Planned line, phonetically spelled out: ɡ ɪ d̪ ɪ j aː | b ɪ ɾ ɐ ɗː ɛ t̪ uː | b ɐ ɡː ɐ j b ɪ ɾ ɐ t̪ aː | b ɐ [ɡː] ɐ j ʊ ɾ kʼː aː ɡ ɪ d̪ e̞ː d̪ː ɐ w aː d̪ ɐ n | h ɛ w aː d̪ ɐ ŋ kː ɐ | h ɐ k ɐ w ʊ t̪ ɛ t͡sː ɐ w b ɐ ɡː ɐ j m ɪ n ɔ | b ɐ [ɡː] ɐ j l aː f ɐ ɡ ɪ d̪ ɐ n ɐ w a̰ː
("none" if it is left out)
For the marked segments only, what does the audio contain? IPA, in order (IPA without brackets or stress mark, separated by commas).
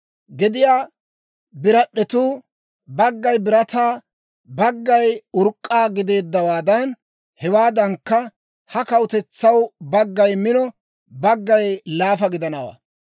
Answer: ɡː, ɡː